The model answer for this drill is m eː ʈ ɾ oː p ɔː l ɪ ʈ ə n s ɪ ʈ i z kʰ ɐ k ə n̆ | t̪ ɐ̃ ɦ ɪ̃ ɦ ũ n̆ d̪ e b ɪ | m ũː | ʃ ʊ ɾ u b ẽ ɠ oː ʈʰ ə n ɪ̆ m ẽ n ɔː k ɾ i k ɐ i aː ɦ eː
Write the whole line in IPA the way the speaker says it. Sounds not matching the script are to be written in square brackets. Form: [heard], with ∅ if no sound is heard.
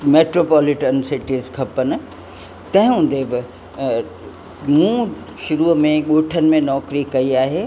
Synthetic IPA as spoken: m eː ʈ ɾ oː p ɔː l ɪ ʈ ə n s ɪ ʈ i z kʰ ɐ [p] ə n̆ | t̪ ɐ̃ ɦ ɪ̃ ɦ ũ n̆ d̪ e b ɪ | m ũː | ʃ ʊ ɾ u [m] ẽ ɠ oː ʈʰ ə n ɪ̆ m ẽ n ɔː k ɾ i k ɐ i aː ɦ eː

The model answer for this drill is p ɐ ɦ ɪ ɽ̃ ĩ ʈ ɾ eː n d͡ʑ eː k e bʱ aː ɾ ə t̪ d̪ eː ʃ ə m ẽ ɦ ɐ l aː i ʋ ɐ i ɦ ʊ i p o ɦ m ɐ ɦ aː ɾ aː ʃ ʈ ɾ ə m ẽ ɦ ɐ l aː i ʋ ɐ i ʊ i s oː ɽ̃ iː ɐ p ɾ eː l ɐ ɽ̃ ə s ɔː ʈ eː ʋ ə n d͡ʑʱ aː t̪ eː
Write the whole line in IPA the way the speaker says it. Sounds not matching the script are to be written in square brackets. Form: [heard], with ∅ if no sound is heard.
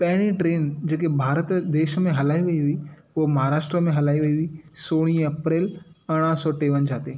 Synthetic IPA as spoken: p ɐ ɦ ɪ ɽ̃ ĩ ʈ ɾ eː n d͡ʑ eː k e bʱ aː ɾ ə t̪ d̪ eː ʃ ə m ẽ ɦ ɐ l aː i ʋ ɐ i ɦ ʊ i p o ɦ m ɐ ɦ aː ɾ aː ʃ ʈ ɾ ə m ẽ ɦ ɐ l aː i ʋ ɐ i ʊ i s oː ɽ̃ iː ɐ p ɾ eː l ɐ ɽ̃ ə s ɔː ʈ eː ʋ ə n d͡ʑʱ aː t̪ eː

